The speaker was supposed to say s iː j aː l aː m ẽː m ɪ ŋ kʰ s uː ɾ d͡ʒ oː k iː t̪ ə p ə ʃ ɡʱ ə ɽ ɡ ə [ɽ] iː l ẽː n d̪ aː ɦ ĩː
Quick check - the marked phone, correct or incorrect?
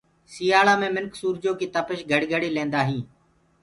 correct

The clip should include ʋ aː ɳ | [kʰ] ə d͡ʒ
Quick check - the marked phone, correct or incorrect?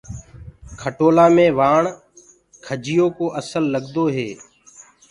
correct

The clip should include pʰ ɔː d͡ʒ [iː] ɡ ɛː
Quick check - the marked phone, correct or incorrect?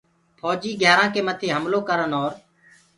correct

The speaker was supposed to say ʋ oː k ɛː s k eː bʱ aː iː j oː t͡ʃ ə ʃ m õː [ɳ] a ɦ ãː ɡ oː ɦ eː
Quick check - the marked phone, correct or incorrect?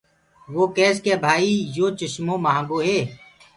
incorrect: m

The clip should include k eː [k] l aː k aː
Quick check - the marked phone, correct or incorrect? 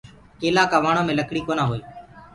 incorrect: none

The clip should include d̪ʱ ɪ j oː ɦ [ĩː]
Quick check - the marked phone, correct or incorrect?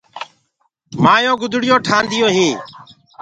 incorrect: iː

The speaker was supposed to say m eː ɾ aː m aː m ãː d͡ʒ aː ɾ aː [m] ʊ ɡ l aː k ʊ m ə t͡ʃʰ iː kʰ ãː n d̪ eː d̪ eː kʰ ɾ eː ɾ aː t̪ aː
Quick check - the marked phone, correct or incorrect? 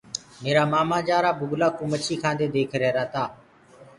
incorrect: b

